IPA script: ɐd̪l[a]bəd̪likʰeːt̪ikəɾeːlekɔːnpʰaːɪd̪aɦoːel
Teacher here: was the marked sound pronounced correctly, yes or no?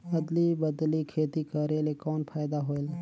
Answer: no